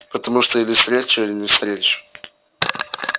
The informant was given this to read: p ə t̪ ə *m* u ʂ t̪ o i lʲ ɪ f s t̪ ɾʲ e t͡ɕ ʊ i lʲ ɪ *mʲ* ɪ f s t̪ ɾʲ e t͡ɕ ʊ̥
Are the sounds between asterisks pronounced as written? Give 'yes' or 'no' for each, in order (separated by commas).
yes, no